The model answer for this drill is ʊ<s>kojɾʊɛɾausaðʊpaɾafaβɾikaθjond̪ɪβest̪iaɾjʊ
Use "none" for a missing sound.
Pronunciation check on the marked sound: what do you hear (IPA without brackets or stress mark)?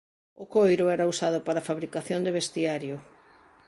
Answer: none